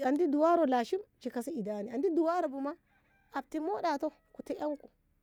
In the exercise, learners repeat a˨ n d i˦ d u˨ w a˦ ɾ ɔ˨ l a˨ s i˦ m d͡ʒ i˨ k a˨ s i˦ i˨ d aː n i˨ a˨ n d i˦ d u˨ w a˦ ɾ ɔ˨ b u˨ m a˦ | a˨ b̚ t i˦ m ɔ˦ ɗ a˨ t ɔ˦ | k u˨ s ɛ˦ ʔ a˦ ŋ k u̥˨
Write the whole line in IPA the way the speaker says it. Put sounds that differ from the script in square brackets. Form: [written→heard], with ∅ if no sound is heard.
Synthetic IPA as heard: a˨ n d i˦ d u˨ w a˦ ɾ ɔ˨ l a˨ [s→ʃ] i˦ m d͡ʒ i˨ k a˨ s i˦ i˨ d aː n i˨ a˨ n d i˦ d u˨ w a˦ ɾ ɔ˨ b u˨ m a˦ | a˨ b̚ t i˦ m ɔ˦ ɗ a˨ t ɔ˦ | k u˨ [s→t] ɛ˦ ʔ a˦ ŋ k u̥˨